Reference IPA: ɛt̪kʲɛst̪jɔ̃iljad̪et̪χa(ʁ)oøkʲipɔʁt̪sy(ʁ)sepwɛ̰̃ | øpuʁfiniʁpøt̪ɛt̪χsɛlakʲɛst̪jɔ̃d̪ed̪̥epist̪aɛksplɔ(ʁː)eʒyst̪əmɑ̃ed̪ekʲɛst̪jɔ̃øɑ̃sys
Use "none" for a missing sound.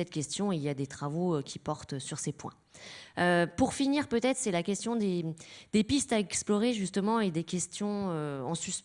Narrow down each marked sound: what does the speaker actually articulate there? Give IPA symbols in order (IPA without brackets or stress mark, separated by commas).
v, ʁ, ʁ